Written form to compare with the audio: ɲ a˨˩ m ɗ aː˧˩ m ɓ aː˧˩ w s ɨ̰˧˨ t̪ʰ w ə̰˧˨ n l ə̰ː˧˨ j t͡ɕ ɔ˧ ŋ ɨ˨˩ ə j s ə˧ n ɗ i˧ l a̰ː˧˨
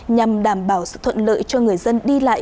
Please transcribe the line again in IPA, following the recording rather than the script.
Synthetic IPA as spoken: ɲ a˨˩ m ɗ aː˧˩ m ɓ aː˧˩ w s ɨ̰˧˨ t̪ʰ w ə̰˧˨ n l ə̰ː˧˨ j t͡ɕ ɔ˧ ŋ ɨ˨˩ ə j z ə˧ n ɗ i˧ l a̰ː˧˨